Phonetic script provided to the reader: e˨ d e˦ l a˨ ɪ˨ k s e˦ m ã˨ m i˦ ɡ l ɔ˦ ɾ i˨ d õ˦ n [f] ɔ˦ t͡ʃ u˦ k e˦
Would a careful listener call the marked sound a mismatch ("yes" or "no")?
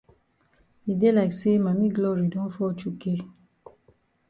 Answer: no